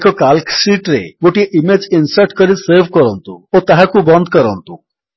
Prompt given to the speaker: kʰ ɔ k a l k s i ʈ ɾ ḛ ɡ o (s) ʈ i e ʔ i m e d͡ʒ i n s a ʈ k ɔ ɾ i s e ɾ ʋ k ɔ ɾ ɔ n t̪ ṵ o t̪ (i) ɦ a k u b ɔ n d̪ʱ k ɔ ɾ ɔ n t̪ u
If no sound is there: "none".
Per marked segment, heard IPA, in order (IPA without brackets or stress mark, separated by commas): none, a